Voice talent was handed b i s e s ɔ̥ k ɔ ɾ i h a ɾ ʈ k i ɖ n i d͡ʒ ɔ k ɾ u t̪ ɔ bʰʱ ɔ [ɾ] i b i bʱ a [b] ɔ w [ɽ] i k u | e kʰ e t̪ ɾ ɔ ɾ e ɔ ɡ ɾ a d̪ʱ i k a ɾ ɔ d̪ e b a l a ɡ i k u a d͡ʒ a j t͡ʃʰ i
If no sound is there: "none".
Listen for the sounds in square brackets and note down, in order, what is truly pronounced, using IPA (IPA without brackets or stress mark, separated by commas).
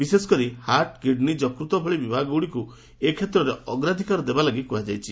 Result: ɭ, ɡ, ɽ